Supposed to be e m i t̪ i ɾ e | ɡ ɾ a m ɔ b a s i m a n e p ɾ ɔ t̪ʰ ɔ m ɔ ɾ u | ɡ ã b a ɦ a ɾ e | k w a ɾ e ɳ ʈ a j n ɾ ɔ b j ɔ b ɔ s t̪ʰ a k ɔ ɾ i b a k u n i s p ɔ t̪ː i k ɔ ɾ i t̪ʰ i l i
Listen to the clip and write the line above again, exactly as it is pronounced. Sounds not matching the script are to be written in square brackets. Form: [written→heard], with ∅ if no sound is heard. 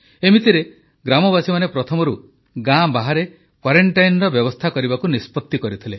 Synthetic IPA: e m i t̪ i ɾ e | ɡ ɾ a m ɔ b a s i m a n e p ɾ ɔ t̪ʰ ɔ m ɔ ɾ u | ɡ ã b a ɦ a ɾ e | k w a ɾ e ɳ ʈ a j n ɾ ɔ b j ɔ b ɔ s t̪ʰ a k ɔ ɾ i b a k u n i s p ɔ t̪ː i k ɔ ɾ i t̪ʰ i l [i→e]